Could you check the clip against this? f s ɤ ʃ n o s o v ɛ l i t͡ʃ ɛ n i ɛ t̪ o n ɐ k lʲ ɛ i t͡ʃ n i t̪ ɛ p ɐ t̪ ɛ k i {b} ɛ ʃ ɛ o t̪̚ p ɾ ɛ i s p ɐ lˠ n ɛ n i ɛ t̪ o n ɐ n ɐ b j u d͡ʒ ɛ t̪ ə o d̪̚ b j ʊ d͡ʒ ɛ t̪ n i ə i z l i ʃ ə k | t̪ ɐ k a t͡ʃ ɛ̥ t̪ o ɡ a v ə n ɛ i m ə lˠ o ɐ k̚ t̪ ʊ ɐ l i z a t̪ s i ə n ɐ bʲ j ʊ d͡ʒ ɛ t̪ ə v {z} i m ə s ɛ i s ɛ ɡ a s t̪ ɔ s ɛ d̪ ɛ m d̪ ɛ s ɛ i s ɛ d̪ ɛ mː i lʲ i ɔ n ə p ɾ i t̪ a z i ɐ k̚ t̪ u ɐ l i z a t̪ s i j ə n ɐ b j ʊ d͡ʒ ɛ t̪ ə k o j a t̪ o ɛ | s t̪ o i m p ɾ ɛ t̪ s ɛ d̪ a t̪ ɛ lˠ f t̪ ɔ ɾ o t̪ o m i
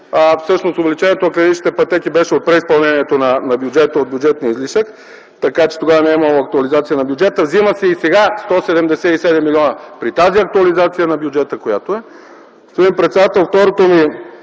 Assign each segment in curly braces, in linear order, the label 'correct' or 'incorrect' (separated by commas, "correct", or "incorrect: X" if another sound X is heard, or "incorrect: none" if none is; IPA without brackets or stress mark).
correct, correct